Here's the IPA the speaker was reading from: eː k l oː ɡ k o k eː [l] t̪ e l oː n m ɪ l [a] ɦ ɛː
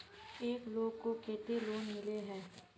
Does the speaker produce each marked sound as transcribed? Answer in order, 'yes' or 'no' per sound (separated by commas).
no, no